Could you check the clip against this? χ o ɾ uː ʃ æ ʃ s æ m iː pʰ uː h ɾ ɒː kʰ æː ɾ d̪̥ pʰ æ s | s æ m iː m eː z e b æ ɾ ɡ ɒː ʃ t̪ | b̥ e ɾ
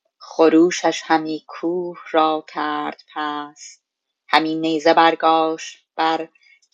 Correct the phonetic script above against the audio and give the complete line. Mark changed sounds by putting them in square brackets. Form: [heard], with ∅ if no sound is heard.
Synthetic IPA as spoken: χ o ɾ uː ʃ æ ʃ [h] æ m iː [kʰ] uː h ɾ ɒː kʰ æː ɾ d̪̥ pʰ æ s | [h] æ m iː [n] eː z e b æ ɾ ɡ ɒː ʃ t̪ | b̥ [æ] ɾ